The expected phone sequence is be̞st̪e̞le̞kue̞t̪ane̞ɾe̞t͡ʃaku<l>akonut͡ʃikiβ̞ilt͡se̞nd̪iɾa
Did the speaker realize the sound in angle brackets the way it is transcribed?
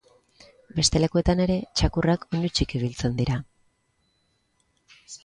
no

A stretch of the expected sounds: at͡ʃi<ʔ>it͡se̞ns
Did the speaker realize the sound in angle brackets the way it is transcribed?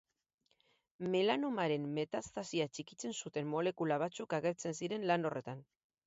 no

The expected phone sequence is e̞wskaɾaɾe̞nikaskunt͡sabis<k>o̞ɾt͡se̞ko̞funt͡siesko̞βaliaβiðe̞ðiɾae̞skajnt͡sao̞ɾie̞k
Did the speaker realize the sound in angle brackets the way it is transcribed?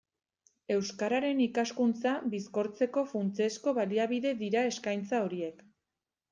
yes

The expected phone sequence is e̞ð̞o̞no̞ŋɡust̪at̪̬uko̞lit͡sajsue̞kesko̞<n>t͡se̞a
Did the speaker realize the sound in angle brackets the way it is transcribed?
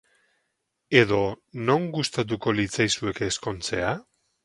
yes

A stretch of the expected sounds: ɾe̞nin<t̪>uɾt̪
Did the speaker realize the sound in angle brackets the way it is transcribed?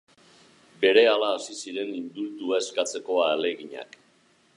no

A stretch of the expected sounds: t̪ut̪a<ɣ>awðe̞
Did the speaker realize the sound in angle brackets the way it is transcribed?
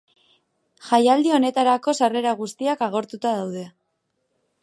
no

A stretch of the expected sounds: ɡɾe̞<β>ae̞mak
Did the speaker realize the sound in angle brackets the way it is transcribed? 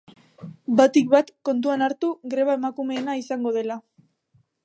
yes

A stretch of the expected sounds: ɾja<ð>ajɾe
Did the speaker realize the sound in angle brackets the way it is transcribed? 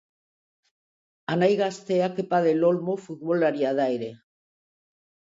yes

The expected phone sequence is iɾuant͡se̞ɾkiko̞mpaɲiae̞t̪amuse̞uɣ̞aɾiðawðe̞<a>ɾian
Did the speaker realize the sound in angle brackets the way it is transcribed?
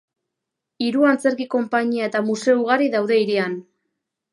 no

